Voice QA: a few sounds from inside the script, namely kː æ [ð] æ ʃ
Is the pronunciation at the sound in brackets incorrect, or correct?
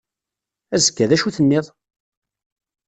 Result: correct